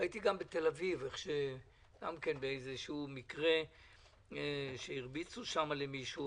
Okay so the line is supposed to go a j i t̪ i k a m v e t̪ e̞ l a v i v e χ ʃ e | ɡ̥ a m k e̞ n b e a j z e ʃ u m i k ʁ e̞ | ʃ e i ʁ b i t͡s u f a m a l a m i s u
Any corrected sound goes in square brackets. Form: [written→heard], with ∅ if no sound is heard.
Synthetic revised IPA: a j i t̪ i [k→ɡ] a m [v→b] e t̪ e̞ l a v i v e χ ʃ e | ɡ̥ a m k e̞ n b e [a→e] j z e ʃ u m i k ʁ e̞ | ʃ e i ʁ b i t͡s u [f→ʃ] a m a l [a→e] m i [s→ʃ] u